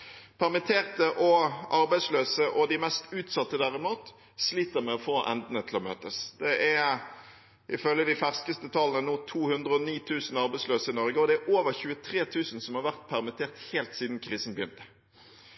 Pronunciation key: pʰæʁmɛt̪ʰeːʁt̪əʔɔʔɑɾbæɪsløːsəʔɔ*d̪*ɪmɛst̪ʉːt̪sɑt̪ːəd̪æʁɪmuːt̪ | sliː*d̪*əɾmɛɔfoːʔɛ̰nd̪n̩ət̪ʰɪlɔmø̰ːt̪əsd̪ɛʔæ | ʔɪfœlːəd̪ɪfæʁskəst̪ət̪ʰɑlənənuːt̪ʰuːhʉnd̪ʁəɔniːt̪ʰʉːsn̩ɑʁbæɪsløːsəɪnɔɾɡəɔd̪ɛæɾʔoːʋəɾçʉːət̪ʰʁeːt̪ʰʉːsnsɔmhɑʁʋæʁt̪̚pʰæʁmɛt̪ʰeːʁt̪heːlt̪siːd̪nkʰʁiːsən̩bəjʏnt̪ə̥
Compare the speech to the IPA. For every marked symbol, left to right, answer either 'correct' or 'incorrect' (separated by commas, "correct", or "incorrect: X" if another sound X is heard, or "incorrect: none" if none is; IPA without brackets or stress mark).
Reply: correct, incorrect: t̪